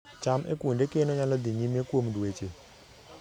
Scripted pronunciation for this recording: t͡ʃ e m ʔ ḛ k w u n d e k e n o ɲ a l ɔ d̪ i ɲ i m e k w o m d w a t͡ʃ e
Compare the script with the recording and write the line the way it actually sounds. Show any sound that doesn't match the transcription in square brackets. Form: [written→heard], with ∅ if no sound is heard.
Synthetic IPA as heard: t͡ʃ [e→a] m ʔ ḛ k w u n d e k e n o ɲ a l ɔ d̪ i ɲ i m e k w o m d w [a→e] t͡ʃ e